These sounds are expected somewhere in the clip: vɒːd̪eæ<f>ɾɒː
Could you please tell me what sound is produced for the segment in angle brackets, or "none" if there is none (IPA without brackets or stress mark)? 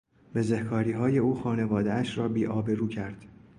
ʃ